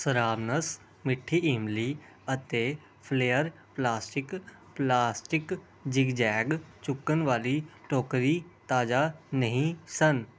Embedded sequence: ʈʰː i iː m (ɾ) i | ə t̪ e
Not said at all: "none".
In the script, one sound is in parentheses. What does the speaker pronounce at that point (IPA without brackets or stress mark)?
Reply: l